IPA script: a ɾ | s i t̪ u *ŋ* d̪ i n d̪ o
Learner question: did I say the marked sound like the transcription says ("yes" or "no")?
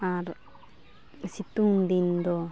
no